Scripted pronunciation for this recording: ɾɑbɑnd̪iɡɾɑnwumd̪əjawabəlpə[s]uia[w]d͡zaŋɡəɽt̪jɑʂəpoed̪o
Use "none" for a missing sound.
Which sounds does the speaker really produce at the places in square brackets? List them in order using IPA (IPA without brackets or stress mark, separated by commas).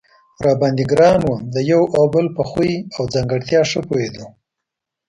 x, w